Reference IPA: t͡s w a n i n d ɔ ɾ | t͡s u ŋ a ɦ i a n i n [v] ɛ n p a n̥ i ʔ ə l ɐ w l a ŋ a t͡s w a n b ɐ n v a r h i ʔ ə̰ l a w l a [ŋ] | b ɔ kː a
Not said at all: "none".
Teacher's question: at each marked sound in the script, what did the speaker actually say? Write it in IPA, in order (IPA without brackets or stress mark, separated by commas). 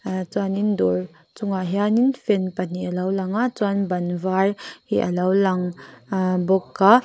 f, ŋ